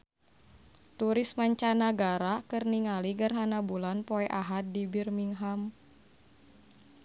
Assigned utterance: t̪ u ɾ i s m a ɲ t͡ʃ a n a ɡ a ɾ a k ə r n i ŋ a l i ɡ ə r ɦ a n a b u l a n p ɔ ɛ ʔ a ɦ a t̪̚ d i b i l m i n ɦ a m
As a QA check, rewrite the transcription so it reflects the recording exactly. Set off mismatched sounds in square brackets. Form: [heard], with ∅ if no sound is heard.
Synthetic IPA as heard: t̪ u ɾ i s m a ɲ t͡ʃ a n a ɡ a ɾ a k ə r n i ŋ a l i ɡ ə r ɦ a n a b u l a n p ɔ ɛ ʔ a ɦ a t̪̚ d i b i [r] m i [ŋ] ɦ a m